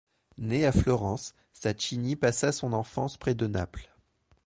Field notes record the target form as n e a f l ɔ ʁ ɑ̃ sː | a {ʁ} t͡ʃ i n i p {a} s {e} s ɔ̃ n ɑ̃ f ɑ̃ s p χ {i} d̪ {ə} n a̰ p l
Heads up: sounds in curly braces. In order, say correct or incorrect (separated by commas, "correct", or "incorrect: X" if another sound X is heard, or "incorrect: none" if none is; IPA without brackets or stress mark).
incorrect: none, correct, incorrect: a, incorrect: ɛ, correct